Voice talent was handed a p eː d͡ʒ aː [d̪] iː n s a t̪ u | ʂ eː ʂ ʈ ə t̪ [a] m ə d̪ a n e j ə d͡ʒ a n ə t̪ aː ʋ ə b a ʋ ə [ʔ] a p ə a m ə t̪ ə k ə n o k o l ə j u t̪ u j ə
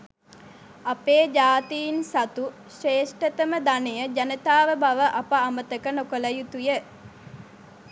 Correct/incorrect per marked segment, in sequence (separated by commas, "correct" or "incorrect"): incorrect, incorrect, correct